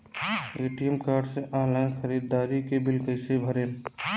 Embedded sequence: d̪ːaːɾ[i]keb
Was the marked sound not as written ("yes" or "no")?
no